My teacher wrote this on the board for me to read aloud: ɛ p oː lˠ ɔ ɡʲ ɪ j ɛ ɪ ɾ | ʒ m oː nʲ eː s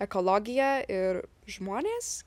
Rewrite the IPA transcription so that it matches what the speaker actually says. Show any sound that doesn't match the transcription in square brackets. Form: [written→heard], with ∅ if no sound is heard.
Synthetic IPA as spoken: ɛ [p→k] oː lˠ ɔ ɡʲ ɪ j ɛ ɪ ɾ | ʒ m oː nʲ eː s